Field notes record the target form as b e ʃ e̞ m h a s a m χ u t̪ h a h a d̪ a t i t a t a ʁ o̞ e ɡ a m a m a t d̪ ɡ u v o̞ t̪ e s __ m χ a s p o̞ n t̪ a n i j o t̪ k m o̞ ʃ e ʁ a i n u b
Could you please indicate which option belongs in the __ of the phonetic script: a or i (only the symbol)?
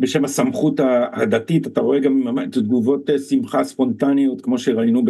i